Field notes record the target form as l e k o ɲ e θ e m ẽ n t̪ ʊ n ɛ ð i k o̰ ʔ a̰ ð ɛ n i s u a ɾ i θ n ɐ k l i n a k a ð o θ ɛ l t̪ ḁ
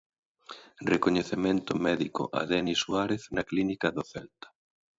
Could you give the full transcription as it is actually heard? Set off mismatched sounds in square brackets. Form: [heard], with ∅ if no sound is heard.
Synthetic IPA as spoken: [r] e k o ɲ e θ e m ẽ n t̪ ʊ [m] ɛ ð i k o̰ ʔ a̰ ð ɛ n i s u a ɾ [e] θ n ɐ k l i n [i] k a ð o θ ɛ l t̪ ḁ

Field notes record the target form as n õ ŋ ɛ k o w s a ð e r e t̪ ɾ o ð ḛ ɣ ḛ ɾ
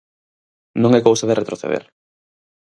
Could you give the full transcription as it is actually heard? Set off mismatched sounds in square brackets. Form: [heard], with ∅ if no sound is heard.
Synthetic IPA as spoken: n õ ŋ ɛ k o w s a ð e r e t̪ ɾ o [θ] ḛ [ð] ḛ ɾ

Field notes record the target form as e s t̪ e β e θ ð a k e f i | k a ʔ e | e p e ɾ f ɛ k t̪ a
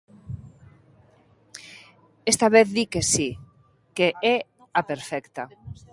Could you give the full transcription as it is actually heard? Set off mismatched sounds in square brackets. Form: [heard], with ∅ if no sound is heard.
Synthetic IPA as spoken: e s t̪ [a] β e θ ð [i] k e [s] i | k [e] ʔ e | [a] p e ɾ f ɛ k t̪ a

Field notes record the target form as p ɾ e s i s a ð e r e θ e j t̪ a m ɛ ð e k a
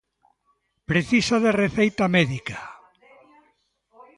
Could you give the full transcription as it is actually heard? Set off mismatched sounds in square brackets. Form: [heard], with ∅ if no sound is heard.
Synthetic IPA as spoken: p ɾ e [θ] i s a ð e r e θ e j t̪ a m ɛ ð [i] k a

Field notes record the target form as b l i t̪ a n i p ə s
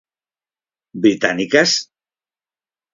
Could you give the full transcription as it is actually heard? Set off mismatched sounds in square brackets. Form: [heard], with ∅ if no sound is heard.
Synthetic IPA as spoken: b [ɾ] i t̪ a n i [k] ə s

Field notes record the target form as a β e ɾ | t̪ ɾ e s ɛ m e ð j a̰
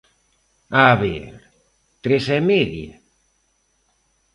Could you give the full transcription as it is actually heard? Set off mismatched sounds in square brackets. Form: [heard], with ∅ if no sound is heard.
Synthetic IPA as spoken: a β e ɾ | t̪ ɾ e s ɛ m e ð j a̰

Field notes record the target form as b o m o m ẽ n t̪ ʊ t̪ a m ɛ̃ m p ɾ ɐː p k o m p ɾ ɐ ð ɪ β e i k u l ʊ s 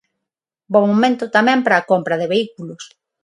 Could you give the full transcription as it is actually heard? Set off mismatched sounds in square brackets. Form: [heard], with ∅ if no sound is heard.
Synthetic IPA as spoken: b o m o m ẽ n t̪ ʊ t̪ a m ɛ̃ m p ɾ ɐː [∅] k o m p ɾ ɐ ð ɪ β e i k u l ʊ s

